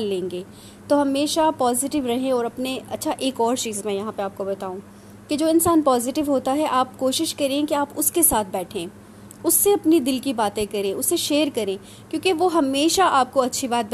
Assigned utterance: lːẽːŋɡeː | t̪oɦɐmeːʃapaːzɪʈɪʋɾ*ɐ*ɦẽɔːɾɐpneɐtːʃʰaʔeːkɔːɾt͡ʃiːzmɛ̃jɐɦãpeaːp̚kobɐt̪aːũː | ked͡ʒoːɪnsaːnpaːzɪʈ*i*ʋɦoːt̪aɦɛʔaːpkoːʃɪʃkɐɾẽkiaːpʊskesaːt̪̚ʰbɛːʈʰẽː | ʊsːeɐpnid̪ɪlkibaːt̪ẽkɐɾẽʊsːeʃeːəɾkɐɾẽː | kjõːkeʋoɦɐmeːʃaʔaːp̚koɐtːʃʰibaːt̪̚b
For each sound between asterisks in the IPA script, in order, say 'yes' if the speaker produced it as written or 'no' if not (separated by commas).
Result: yes, no